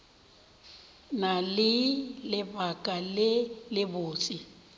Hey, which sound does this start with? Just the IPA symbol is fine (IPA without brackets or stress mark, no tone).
n